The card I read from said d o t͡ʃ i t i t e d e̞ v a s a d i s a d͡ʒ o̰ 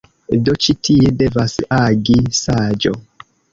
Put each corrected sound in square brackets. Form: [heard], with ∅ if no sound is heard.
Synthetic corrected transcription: d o t͡ʃ i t i [∅] e d e̞ v a s a [ɡ] i s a d͡ʒ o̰